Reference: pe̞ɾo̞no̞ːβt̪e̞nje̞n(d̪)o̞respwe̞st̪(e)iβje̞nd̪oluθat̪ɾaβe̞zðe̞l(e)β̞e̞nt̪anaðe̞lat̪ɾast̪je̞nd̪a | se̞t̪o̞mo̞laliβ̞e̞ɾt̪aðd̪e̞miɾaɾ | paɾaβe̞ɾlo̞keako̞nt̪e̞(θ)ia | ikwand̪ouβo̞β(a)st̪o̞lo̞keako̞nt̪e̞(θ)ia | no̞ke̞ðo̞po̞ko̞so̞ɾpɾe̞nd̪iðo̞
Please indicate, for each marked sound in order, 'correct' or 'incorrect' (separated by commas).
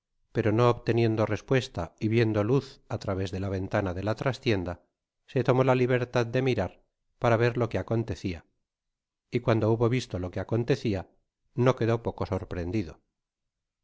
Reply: correct, incorrect, incorrect, correct, incorrect, correct